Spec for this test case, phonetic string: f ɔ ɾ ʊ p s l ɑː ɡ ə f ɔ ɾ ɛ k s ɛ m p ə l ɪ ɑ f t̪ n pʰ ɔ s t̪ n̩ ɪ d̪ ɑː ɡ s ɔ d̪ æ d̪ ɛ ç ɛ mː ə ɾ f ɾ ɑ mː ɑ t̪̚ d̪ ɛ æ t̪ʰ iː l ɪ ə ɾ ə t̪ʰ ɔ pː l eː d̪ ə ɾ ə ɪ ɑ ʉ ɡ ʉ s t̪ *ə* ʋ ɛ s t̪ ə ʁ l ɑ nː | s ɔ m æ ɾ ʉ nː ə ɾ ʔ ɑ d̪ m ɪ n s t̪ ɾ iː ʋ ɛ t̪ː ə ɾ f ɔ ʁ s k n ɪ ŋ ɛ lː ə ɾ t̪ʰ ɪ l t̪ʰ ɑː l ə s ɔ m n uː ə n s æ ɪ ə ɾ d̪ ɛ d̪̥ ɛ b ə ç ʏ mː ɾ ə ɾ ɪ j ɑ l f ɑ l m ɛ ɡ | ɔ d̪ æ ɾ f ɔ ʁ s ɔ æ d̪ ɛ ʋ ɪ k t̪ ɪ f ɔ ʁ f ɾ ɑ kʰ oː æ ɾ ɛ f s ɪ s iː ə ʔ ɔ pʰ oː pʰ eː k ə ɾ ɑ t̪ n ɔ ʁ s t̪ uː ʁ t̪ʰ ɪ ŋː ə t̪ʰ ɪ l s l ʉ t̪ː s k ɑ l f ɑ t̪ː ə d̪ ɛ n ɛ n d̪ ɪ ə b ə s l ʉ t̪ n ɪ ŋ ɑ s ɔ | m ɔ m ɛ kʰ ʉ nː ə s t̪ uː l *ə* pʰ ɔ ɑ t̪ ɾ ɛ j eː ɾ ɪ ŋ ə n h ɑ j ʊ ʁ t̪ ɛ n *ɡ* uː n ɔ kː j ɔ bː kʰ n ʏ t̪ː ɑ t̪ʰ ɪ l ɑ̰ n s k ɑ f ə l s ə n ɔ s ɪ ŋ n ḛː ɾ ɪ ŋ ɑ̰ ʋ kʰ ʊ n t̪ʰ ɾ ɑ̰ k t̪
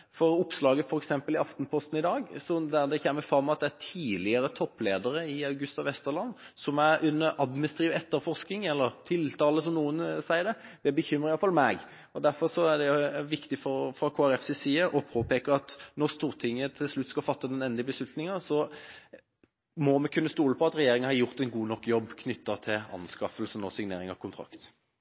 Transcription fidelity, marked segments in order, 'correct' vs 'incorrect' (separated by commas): incorrect, correct, correct